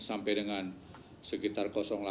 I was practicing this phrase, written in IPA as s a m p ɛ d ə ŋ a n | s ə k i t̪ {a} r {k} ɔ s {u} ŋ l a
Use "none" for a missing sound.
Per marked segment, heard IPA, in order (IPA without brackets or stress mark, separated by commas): a, k, ɔ